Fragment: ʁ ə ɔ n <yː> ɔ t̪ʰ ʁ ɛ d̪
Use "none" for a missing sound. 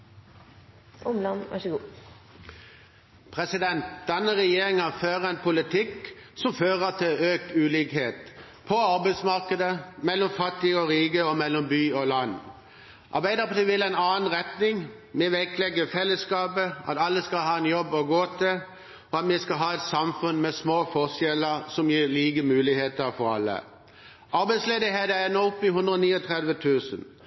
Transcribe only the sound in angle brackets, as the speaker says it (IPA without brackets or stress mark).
iː